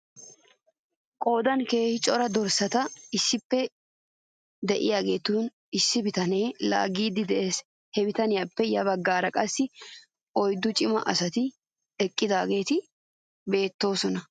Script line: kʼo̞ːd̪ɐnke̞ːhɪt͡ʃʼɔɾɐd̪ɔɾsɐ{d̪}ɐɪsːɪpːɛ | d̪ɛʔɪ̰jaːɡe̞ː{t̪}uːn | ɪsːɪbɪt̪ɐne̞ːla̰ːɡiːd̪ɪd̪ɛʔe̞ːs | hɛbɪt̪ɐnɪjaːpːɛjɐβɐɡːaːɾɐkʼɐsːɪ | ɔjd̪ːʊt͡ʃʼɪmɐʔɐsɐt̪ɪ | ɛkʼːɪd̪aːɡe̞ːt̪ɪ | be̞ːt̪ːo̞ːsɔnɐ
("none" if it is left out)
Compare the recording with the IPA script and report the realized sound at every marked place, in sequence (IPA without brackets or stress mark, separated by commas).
t̪, t̪